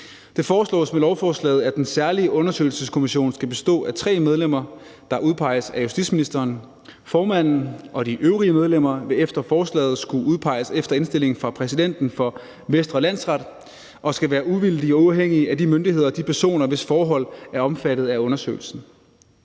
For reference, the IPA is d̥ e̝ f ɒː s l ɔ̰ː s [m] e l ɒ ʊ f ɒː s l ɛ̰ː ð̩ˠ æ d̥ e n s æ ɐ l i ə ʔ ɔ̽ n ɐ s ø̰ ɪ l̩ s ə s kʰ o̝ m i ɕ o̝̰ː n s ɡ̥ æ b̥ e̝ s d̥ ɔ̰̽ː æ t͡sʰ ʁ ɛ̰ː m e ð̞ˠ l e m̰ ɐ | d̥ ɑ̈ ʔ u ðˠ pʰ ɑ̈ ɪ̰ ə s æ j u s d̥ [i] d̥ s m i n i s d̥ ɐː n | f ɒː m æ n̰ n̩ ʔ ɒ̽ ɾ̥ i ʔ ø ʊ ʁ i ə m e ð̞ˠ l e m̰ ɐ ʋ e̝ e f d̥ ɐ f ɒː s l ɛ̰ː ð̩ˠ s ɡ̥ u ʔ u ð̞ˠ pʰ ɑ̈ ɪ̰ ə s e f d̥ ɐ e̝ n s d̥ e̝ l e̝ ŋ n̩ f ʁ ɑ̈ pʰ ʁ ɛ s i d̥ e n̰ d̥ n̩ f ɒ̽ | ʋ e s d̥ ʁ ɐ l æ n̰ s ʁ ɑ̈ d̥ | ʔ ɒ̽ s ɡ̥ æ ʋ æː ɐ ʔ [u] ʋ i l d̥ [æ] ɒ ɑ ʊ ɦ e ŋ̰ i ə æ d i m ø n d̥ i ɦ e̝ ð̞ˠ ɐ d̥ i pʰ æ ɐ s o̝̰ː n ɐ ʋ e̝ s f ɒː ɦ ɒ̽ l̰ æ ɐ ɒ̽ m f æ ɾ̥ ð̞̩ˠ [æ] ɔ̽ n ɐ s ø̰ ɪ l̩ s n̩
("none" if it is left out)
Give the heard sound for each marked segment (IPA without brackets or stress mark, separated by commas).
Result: m, i, u, i, æ